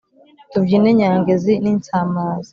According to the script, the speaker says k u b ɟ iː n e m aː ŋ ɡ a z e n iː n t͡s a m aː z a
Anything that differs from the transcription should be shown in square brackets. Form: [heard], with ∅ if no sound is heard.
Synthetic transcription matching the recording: [t] u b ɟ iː n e [ɲ] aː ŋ ɡ [e] z [i] n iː n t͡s a m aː z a